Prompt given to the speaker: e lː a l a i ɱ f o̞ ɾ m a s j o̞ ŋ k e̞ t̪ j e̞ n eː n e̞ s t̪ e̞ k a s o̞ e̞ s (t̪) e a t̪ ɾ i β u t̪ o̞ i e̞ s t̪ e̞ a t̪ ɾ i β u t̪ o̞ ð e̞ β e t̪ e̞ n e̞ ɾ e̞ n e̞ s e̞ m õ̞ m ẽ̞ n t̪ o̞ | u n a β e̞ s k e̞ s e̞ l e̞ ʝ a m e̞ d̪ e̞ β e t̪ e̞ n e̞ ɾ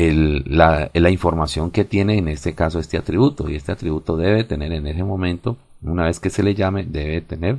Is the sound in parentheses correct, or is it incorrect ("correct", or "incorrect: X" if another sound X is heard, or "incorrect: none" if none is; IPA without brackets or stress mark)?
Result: correct